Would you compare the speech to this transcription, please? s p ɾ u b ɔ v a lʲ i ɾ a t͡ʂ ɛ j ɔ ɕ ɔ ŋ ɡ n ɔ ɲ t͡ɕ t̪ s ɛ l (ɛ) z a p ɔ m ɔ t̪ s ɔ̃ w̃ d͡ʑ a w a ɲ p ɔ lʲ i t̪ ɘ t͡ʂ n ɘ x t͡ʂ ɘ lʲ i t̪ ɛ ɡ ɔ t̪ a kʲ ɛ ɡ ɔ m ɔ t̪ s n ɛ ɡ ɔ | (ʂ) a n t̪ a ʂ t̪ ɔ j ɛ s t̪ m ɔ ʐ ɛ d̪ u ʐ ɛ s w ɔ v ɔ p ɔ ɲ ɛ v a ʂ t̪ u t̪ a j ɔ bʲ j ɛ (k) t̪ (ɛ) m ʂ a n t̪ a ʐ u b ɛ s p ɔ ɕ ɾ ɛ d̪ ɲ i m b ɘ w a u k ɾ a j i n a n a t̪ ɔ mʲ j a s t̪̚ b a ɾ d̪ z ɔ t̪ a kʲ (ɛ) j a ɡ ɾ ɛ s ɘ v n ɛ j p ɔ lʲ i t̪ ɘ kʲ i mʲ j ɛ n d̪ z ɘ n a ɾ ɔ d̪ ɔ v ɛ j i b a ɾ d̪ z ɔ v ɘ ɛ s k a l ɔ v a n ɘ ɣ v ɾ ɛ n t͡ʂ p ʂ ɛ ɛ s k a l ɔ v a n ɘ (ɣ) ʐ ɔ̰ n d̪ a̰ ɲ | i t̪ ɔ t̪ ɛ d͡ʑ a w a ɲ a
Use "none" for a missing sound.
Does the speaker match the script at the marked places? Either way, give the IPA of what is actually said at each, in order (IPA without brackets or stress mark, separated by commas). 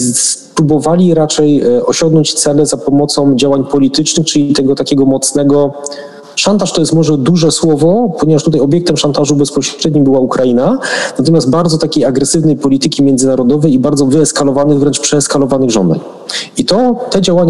ɛ, ʂ, k, ɛ, e, ɣ